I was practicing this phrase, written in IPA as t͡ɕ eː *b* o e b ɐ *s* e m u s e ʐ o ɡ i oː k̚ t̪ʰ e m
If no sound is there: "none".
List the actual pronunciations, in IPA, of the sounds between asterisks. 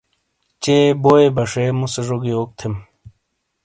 b, ʂ

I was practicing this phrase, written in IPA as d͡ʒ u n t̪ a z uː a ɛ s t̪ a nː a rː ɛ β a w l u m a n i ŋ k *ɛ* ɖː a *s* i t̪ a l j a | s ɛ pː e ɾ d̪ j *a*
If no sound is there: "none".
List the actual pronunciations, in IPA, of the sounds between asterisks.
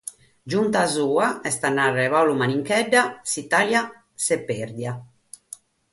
ɛ, s, a

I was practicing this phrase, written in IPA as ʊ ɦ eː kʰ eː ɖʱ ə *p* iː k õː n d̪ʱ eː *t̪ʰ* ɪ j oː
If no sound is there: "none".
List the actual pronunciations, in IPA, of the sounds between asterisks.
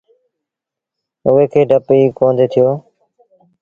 p, t̪ʰ

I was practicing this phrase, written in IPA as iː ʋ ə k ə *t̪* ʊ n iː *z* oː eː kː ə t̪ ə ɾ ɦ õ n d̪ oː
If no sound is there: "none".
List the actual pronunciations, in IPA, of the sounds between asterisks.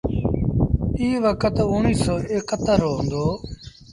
t̪, s

